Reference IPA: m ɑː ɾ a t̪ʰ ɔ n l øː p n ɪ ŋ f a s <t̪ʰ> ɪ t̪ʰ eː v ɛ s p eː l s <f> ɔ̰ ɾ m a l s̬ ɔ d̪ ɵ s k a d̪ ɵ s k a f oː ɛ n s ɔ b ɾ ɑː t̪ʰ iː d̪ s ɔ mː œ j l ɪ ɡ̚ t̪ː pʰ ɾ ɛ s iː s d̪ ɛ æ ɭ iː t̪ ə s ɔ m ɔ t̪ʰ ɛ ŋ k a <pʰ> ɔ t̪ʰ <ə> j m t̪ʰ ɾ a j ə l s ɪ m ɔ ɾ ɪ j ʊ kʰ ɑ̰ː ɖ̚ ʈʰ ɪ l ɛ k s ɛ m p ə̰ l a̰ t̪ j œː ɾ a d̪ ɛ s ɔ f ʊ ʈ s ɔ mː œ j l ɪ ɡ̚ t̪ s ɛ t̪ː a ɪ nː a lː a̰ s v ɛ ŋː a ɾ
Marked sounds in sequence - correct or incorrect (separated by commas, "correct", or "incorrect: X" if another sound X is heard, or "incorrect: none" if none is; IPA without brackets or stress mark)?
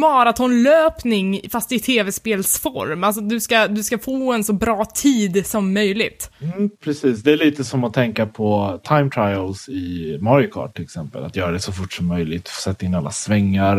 incorrect: t̪, correct, correct, incorrect: a